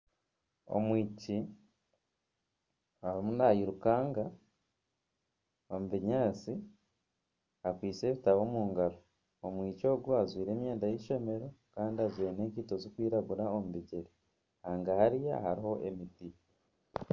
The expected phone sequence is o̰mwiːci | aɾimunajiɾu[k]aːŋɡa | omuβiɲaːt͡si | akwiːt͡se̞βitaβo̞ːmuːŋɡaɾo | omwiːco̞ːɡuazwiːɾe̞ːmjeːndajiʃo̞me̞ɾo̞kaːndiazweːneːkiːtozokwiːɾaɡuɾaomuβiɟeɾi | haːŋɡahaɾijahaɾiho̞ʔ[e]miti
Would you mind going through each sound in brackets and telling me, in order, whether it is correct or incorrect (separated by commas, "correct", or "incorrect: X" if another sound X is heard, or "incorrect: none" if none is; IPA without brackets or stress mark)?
correct, correct